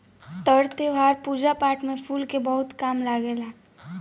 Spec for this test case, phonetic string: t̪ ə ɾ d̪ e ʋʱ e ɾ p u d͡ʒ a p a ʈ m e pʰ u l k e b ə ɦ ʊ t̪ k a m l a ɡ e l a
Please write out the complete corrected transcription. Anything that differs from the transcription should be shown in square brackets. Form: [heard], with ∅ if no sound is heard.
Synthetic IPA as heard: t̪ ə ɾ [t̪] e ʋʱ [a] ɾ p u d͡ʒ a p a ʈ m e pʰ u l k e b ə ɦ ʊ t̪ k a m l a ɡ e l a